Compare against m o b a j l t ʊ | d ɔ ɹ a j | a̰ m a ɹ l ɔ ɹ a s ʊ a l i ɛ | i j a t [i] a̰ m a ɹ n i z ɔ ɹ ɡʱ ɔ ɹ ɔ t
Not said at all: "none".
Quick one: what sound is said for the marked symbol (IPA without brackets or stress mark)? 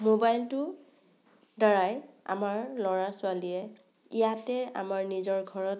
ɛ